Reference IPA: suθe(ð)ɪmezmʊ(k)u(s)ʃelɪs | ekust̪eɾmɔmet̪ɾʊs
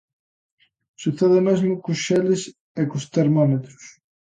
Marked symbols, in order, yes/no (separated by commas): yes, yes, yes